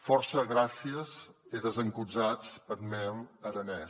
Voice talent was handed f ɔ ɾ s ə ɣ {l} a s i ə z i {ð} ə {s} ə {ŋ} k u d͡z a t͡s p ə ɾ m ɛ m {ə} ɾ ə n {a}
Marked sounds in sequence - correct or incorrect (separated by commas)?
incorrect, correct, incorrect, correct, correct, incorrect